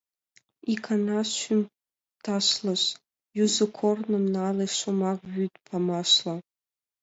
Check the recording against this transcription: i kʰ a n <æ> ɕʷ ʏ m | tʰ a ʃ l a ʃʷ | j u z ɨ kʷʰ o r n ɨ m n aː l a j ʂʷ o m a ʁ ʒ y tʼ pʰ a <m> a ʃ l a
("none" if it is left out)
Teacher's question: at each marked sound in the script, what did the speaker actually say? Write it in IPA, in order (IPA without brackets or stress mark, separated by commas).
a, m